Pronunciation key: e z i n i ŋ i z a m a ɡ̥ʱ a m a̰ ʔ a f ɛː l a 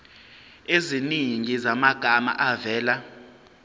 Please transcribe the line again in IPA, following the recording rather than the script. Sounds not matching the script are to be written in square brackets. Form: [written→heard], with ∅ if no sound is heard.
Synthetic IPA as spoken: e z i n i ŋ i z a m a ɡ̥ʱ a m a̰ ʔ a [f→v] ɛː l a